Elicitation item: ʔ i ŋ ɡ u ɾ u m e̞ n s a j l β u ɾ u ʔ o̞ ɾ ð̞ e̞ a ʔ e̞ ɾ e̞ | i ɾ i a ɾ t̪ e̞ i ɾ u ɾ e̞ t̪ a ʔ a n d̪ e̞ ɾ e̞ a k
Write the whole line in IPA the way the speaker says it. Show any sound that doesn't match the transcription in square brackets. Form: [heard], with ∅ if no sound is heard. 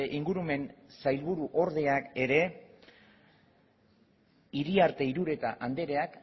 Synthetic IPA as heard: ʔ i ŋ ɡ u ɾ u m e̞ n s a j l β u ɾ u ʔ o̞ ɾ ð̞ e̞ a [k] e̞ ɾ e̞ | i ɾ i a ɾ t̪ e̞ i ɾ u ɾ e̞ t̪ a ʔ a n d̪ e̞ ɾ e̞ a k